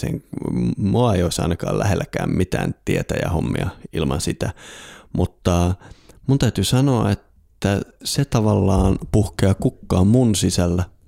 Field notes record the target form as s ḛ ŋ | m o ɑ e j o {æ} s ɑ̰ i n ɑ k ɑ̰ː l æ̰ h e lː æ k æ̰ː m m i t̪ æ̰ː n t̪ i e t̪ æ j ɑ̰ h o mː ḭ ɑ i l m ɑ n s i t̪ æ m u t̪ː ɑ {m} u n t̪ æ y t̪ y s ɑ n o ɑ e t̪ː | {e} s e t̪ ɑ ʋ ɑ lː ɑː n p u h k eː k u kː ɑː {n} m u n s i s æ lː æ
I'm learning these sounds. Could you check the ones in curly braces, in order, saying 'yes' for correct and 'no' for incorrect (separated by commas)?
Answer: no, yes, no, no